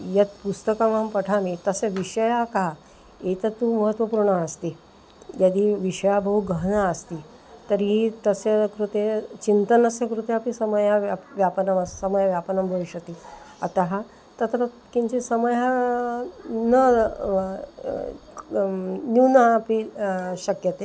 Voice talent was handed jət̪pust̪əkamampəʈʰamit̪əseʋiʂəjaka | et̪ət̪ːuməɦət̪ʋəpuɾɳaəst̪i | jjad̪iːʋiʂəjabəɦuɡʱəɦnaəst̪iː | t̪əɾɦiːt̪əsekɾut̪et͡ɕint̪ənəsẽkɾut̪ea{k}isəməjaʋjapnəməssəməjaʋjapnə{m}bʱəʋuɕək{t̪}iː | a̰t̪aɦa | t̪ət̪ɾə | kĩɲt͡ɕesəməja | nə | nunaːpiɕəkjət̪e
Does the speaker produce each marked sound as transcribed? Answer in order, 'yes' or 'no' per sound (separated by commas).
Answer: no, yes, yes